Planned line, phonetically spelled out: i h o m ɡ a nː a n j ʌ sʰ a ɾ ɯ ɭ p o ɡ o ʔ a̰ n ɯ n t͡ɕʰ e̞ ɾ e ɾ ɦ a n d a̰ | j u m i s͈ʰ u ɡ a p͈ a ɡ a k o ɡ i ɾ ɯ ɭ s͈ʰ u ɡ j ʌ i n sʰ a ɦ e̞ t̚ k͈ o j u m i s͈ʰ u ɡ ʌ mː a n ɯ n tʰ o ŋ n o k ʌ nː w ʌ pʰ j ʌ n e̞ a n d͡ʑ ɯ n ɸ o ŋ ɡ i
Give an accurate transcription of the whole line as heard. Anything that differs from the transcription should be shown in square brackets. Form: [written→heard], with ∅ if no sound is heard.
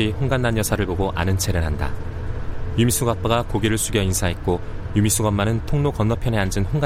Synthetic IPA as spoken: i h o [m→ŋ] ɡ a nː a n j ʌ sʰ a ɾ ɯ ɭ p o ɡ o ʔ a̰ n ɯ n t͡ɕʰ e̞ ɾ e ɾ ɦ a n d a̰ | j u m i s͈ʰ u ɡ a p͈ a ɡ a k o ɡ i ɾ ɯ ɭ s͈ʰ u ɡ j ʌ i n sʰ a ɦ e̞ t̚ k͈ o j u m i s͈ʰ u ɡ ʌ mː a n ɯ n tʰ o ŋ n o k ʌ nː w ʌ pʰ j ʌ n e̞ a n d͡ʑ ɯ n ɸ o ŋ ɡ [i→a]